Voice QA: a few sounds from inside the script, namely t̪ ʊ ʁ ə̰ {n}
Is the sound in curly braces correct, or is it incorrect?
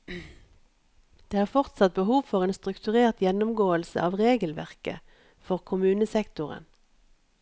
correct